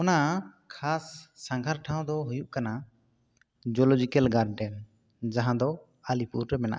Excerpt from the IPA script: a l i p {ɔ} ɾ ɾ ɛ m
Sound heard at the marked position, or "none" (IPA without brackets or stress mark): u